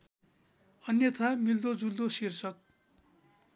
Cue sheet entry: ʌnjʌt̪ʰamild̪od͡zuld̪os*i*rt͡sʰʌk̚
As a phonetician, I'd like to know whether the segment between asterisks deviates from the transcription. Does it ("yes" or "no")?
no